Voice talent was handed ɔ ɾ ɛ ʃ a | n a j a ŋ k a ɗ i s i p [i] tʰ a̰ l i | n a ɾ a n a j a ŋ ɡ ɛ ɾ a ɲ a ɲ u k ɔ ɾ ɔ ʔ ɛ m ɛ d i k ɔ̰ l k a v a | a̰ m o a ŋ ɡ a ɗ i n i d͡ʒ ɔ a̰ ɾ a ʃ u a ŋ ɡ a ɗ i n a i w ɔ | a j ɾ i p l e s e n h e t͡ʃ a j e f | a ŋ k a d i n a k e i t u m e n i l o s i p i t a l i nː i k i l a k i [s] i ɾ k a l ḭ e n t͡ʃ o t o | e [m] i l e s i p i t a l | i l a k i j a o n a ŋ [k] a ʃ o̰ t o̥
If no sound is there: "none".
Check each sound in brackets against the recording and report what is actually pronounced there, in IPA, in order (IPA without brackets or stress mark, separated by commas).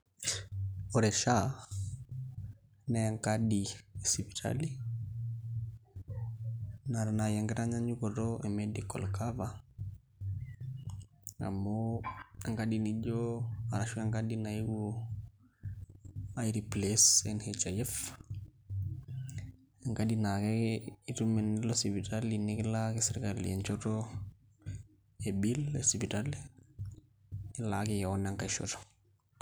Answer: i, s, b, k